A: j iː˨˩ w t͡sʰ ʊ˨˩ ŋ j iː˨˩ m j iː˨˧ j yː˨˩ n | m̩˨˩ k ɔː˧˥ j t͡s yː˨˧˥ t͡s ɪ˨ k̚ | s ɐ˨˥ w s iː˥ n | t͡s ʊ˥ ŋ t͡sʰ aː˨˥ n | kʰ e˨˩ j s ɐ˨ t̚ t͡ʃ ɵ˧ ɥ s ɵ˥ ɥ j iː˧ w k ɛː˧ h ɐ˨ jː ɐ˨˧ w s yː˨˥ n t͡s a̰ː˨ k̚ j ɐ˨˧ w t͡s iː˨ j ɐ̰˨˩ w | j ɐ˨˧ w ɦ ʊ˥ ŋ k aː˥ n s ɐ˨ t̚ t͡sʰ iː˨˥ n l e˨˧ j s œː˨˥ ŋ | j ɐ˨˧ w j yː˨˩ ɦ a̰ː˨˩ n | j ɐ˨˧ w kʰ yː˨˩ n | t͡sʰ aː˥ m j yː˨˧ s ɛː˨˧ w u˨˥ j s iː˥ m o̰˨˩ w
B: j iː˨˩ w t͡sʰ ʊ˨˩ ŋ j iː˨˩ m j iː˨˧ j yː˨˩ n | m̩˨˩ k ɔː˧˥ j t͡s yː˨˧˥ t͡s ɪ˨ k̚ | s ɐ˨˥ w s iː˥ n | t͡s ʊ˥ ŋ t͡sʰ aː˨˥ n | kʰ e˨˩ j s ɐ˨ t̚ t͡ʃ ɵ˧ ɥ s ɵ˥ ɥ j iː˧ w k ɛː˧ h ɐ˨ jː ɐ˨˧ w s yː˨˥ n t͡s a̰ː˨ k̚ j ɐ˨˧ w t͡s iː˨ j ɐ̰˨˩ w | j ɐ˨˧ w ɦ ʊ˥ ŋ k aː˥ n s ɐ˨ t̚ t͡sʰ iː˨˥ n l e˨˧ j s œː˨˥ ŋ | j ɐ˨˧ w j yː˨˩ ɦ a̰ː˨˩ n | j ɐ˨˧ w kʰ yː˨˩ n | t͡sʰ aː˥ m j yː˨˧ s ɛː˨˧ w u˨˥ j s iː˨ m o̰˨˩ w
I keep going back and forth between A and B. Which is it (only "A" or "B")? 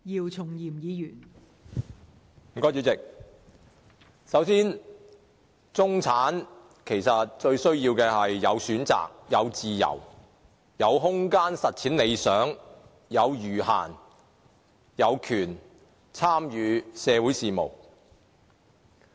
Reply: B